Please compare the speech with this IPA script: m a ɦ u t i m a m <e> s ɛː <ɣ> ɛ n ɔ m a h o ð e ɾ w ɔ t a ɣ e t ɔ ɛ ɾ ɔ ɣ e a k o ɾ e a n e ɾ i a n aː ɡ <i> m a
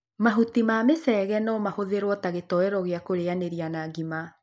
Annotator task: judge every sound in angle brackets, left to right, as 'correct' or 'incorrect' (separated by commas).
correct, correct, correct